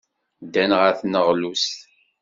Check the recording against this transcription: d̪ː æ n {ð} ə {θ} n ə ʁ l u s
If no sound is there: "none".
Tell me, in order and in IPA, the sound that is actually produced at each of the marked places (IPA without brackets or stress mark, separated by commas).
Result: ʁ, θ